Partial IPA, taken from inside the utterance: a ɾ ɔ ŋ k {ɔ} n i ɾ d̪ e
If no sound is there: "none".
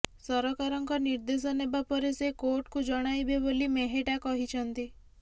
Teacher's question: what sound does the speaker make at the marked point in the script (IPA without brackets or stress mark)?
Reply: ɔ